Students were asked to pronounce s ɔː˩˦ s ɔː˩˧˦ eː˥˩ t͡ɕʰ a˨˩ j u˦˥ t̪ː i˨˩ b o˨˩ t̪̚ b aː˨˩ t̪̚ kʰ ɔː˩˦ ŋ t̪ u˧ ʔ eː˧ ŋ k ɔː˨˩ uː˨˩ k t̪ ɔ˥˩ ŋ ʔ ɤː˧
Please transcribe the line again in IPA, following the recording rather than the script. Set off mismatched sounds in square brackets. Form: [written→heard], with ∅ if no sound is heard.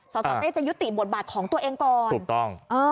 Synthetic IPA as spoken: s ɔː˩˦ s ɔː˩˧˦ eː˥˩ [t͡ɕʰ→t͡ɕ] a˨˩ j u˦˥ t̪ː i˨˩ b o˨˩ t̪̚ b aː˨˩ t̪̚ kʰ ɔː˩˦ ŋ t̪ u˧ ʔ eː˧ ŋ k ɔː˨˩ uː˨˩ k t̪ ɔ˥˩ ŋ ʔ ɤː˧

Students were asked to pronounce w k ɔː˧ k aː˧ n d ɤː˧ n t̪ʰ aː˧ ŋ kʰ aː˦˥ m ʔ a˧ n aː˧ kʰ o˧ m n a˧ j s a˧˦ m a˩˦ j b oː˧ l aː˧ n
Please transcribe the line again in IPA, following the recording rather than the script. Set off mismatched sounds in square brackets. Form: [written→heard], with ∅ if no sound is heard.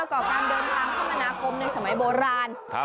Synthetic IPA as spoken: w k [ɔː˧→ɔː˨˩] k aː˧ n d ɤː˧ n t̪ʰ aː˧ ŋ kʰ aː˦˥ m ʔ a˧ n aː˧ kʰ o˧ m n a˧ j s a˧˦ m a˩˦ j b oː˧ [l→ɾ] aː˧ n

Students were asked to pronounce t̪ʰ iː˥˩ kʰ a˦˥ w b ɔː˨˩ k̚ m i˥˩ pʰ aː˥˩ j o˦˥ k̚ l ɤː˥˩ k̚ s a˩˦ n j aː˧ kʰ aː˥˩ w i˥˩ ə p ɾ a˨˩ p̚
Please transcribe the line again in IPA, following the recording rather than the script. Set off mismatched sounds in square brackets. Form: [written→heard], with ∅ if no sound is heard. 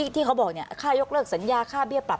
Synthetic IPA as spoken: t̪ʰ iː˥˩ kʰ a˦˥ w b ɔː˨˩ k̚ [m→n] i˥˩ [pʰ→kʰ] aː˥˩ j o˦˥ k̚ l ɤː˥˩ k̚ s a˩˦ n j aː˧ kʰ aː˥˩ [w→b] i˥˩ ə p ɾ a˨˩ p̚

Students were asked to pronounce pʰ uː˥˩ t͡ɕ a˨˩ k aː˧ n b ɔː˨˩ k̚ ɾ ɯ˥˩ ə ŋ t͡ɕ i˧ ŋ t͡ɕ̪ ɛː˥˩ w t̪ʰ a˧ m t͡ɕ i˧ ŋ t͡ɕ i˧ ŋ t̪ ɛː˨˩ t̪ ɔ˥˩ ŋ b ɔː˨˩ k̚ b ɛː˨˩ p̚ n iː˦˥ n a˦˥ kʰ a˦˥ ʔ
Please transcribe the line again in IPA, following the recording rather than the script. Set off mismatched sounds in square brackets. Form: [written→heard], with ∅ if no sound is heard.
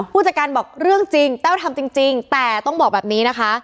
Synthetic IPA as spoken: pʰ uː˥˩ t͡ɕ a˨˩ k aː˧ n b ɔː˨˩ k̚ ɾ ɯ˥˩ ə ŋ t͡ɕ i˧ ŋ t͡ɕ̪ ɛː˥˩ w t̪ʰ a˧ m t͡ɕ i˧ ŋ t͡ɕ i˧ ŋ t̪ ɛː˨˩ t̪ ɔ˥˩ ŋ b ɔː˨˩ k̚ b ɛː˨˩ p̚ n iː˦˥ n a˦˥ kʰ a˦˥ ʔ

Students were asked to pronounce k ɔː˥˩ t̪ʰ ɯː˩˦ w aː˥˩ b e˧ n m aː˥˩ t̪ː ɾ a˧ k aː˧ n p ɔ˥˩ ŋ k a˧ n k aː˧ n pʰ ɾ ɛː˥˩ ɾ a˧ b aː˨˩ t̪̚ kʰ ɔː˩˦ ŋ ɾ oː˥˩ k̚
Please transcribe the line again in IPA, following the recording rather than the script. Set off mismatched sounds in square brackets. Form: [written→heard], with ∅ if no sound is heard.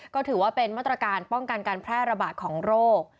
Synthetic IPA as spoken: k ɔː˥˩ t̪ʰ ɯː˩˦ w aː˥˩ [b→p] e˧ n m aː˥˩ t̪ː ɾ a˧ k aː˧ n p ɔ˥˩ ŋ k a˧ n k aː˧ n pʰ ɾ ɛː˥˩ ɾ a˧ b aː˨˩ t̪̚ kʰ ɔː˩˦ ŋ ɾ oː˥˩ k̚

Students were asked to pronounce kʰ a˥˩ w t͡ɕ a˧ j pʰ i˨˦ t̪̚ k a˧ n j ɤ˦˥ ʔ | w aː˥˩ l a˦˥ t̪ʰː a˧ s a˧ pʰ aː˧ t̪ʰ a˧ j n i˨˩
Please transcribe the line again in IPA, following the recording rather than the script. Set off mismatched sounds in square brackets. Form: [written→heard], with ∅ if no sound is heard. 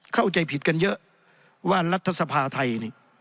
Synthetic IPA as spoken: kʰ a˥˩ w t͡ɕ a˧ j pʰ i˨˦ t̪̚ k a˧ n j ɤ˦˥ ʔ | w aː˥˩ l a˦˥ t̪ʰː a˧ s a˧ pʰ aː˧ t̪ʰ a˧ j n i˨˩

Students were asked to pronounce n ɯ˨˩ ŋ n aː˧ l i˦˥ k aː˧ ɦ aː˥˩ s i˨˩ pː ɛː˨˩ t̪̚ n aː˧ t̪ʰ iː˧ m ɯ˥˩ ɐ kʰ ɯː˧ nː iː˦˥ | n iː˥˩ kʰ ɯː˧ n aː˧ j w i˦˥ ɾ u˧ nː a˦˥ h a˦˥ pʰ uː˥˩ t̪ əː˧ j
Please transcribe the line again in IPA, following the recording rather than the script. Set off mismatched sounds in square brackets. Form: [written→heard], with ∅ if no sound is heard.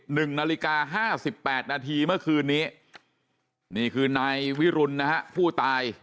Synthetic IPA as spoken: n ɯ˨˩ ŋ n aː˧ l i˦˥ k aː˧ ɦ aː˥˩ s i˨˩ pː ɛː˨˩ t̪̚ n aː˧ t̪ʰ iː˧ m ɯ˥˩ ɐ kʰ ɯː˧ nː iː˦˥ | n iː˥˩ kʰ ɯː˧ n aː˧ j w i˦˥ ɾ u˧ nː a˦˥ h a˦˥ pʰ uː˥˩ t̪ [əː˧→aː˧] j

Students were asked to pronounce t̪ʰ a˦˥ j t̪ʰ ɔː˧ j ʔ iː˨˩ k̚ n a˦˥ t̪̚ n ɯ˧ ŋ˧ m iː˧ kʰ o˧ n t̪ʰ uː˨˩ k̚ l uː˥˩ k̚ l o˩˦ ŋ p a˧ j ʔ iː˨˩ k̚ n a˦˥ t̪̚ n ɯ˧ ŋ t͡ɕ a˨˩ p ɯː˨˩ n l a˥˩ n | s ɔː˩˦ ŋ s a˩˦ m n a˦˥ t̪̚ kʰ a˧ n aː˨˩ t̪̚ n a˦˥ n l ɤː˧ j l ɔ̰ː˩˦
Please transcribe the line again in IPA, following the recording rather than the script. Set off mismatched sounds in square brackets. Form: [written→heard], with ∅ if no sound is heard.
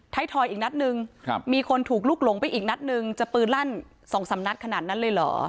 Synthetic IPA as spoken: t̪ʰ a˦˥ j t̪ʰ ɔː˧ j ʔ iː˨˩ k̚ n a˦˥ t̪̚ n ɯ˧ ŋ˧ m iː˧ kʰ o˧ n t̪ʰ uː˨˩ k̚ l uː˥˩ k̚ l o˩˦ ŋ p a˧ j ʔ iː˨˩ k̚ n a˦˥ t̪̚ n ɯ˧ ŋ t͡ɕ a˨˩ p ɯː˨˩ n l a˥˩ n | s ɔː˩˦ ŋ s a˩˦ m n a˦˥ t̪̚ kʰ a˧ n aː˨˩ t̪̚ n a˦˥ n l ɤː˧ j l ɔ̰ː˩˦

